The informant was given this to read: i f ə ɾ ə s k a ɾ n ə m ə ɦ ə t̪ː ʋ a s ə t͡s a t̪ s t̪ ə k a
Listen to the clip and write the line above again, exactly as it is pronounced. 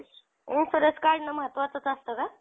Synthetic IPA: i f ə ɾ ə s k a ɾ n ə m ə ɦ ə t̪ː ʋ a t͡s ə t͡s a s t̪ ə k a